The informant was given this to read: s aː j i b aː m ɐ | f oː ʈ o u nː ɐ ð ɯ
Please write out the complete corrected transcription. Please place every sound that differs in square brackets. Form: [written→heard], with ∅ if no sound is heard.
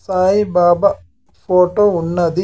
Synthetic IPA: s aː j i b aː [m→b] ɐ | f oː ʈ o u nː ɐ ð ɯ